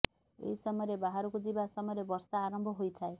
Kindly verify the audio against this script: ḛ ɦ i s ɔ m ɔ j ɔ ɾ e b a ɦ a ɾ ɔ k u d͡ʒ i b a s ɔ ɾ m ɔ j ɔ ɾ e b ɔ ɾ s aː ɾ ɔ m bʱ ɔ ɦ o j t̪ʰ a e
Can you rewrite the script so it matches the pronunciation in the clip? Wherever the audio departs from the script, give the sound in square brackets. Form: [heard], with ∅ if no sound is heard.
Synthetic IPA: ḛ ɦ i s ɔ m ɔ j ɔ ɾ e b a ɦ a ɾ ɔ k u d͡ʒ i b a s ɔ [∅] m ɔ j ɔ ɾ e b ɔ ɾ s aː ɾ ɔ m bʱ ɔ ɦ o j t̪ʰ a e

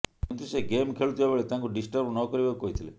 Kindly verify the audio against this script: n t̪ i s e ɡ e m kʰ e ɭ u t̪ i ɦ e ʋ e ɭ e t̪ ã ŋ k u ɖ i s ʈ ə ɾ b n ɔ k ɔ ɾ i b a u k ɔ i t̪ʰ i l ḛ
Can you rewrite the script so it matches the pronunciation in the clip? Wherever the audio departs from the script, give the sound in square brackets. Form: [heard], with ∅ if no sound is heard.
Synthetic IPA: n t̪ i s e ɡ e m kʰ e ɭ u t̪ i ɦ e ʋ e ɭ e t̪ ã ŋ k u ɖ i s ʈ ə ɾ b n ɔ k ɔ ɾ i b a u k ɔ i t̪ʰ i l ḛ

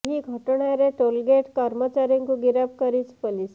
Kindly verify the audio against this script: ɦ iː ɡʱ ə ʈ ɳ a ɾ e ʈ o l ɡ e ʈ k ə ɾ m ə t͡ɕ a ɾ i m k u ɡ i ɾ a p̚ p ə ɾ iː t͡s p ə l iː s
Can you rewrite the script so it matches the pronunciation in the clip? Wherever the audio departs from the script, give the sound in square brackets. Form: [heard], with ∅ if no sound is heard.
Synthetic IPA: ɦ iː ɡʱ ə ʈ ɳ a ɾ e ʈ o l ɡ e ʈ k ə ɾ m ə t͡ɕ a ɾ i [ŋ] k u ɡ i ɾ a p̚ [k] ə ɾ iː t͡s p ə l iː s

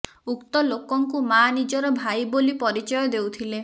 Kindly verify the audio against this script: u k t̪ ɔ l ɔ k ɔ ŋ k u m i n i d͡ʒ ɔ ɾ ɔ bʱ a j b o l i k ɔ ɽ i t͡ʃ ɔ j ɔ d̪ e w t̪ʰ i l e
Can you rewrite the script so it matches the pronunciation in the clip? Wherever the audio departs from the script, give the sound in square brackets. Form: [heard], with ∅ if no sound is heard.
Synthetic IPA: u k t̪ ɔ l [o] k ɔ ŋ k u m [a] n i d͡ʒ ɔ ɾ ɔ bʱ a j b o l i [p] ɔ [ɾ] i t͡ʃ ɔ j ɔ d̪ e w t̪ʰ i l e

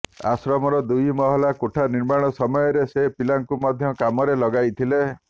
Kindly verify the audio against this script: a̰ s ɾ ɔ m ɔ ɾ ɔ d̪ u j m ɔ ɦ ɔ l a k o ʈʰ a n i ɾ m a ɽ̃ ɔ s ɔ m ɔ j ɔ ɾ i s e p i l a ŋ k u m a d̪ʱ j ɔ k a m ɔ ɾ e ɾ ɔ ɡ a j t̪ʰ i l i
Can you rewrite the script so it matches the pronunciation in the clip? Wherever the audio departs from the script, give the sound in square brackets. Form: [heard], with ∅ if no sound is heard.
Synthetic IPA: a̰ s ɾ ɔ m ɔ ɾ ɔ d̪ u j m ɔ ɦ ɔ l a k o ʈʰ a n i ɾ m a ɽ̃ ɔ s ɔ m ɔ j ɔ ɾ [e] s e p i l a ŋ k u m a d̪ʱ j ɔ k a m ɔ ɾ e [l] ɔ ɡ a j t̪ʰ i l [e]

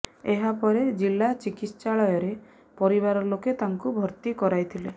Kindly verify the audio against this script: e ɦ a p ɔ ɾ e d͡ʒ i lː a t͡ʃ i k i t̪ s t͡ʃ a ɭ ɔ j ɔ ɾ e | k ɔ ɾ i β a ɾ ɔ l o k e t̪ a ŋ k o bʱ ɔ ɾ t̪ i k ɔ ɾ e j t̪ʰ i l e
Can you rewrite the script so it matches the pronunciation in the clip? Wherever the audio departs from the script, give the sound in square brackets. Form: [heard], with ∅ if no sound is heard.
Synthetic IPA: e ɦ a p ɔ ɾ e d͡ʒ i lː a t͡ʃ i k i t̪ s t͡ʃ a ɭ ɔ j ɔ ɾ e | [p] ɔ ɾ i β a ɾ ɔ l o k e t̪ a ŋ k [u] bʱ ɔ ɾ t̪ i k ɔ ɾ [a] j t̪ʰ i l e

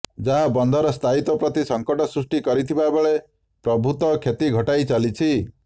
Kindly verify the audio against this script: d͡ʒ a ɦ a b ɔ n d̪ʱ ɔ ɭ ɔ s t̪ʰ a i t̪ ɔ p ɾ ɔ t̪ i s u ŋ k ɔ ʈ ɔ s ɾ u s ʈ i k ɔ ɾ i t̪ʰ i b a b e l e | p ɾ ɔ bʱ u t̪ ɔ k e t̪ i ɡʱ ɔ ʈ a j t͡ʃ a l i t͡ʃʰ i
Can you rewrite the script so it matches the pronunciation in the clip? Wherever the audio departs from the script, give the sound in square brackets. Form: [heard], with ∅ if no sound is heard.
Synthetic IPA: d͡ʒ a ɦ a b ɔ n d̪ʱ ɔ [ɾ] ɔ s t̪ʰ a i t̪ ɔ p ɾ ɔ t̪ i s [ɔ] ŋ k ɔ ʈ ɔ s ɾ u s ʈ i k ɔ ɾ i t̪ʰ i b a b e [ɭ] e | p ɾ ɔ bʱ u t̪ ɔ [kʰ] e t̪ i ɡʱ ɔ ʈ a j t͡ʃ a l i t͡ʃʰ i

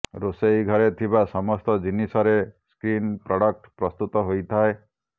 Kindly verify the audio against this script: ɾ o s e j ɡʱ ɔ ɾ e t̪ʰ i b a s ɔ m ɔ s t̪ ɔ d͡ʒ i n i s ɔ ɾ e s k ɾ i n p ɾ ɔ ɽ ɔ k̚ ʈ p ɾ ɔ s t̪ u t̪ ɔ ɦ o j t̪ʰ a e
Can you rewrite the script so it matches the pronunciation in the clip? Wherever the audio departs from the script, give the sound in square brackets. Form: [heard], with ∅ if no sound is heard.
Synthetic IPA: ɾ o s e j ɡʱ ɔ ɾ e t̪ʰ i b a s ɔ m ɔ s t̪ ɔ d͡ʒ i n i s ɔ ɾ e s k ɾ i n p ɾ ɔ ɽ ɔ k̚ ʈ p ɾ ɔ s t̪ u t̪ ɔ ɦ o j t̪ʰ a e

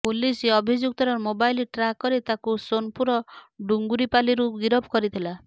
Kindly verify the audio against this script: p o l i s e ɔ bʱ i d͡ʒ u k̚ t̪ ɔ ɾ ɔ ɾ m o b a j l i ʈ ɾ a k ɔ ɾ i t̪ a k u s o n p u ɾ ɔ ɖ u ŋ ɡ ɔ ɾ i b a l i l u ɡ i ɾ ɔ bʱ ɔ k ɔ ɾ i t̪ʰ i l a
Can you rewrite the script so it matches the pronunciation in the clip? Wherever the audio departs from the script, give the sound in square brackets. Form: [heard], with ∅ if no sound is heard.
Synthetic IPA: p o l i s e ɔ bʱ i d͡ʒ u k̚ t̪ ɔ ɾ ɔ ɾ m o b a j l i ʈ ɾ a k ɔ ɾ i t̪ a k u s o n p u ɾ ɔ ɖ u ŋ ɡ [u] ɾ i [p] a l i [ɾ] u ɡ i ɾ ɔ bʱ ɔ k ɔ ɾ i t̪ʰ i l a

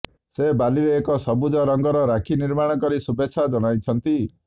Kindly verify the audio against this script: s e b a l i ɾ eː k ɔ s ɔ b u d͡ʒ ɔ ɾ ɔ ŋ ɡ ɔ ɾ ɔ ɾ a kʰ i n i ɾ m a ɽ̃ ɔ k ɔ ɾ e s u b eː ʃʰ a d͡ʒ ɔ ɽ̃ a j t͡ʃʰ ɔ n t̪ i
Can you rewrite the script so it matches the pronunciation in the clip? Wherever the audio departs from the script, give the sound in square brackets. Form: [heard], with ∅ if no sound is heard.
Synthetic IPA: s e b a l i ɾ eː k ɔ s ɔ b u d͡ʒ ɔ ɾ ɔ ŋ ɡ ɔ ɾ ɔ ɾ a kʰ i n i ɾ m a ɽ̃ ɔ k ɔ ɾ [i] s u b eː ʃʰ a d͡ʒ ɔ ɽ̃ a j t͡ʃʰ ɔ n t̪ i

